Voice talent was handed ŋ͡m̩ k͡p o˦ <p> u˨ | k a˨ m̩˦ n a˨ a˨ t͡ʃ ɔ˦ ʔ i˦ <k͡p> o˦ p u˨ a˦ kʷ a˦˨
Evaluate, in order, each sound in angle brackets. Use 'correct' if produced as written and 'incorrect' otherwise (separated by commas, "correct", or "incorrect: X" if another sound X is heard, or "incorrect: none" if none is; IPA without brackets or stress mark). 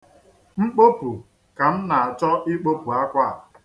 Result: correct, correct